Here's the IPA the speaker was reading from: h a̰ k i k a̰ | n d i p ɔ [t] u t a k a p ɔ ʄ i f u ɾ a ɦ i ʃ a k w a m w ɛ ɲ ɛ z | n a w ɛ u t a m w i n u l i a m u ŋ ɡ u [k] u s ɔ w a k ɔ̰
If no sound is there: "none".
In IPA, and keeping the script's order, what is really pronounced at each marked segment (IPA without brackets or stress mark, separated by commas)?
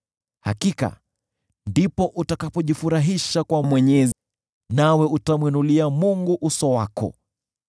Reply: ʔ, ʔ